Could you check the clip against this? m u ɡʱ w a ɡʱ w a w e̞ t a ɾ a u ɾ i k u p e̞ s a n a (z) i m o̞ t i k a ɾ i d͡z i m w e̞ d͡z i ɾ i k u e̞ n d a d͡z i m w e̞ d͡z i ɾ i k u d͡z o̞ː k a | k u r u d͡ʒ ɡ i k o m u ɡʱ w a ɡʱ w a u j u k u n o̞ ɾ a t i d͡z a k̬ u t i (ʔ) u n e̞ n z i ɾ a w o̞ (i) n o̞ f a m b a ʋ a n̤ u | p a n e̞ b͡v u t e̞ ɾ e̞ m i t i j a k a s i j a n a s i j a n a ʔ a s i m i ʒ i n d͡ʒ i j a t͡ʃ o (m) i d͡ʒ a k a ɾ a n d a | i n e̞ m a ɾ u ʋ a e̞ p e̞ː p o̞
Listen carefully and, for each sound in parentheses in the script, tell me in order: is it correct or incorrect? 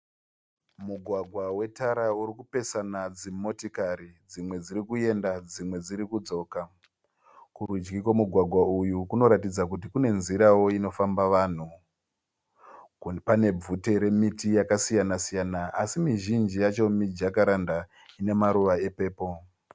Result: incorrect, incorrect, correct, correct

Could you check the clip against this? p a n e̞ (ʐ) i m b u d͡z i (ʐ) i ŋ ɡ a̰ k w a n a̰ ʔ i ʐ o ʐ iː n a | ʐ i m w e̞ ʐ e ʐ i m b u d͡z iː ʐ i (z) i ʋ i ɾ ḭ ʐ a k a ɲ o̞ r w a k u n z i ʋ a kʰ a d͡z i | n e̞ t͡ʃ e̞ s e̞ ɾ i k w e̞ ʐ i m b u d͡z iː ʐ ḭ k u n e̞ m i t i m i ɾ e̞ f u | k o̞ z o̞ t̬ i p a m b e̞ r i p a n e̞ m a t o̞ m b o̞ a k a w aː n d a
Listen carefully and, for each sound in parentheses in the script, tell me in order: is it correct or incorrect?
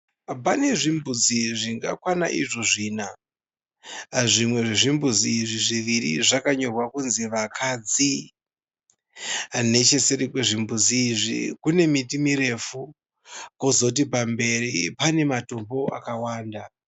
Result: correct, correct, incorrect

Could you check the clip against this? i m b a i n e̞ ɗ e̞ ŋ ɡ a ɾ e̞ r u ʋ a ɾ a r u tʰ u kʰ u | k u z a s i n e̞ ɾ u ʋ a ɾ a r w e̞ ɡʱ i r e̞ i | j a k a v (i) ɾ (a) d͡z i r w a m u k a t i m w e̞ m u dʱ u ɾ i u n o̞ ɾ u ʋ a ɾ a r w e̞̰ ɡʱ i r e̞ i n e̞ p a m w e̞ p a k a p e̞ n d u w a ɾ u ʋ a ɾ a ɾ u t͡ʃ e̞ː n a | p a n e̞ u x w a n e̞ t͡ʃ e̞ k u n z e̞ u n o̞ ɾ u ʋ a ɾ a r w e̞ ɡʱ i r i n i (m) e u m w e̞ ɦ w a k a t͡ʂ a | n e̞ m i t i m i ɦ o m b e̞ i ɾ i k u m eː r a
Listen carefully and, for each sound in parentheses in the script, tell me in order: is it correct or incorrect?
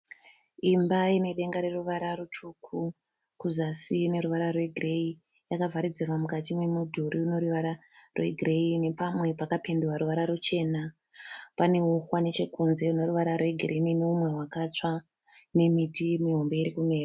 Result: incorrect, incorrect, incorrect

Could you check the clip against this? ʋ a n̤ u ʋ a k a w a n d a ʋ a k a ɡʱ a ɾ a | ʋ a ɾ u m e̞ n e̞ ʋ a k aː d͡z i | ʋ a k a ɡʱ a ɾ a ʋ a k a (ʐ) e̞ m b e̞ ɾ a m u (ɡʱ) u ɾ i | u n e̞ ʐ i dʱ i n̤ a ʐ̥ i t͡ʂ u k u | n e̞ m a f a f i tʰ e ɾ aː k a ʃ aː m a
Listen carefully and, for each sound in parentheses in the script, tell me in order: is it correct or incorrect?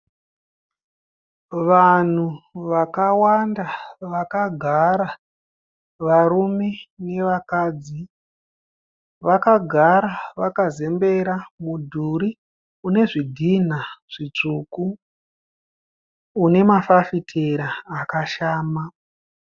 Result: incorrect, incorrect

